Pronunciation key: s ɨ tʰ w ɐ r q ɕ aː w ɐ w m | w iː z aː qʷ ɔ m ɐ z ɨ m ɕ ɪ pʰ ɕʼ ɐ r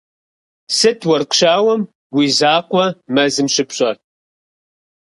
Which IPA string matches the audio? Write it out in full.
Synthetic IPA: s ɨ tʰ w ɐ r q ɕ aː w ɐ m | w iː z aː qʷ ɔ m ɐ z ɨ m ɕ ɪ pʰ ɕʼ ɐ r